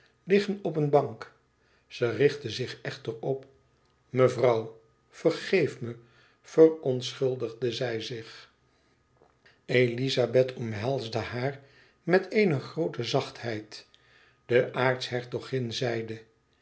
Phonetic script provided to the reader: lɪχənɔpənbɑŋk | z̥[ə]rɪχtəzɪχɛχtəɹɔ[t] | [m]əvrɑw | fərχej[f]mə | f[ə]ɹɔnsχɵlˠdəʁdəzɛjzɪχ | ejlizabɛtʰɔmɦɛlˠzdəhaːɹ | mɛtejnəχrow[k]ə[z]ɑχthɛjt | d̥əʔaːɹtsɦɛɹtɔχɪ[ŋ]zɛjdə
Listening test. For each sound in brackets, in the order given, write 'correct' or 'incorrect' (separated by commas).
correct, incorrect, correct, correct, correct, incorrect, correct, incorrect